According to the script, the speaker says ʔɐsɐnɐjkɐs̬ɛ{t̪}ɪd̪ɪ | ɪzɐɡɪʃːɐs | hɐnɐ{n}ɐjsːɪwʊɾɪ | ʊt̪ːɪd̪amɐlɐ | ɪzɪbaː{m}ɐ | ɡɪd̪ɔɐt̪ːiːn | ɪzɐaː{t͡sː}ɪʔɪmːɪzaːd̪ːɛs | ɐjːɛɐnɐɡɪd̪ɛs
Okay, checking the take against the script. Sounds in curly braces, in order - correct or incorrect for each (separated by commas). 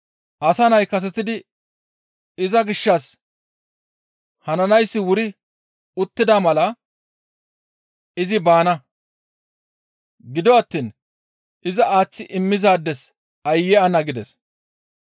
correct, correct, incorrect, correct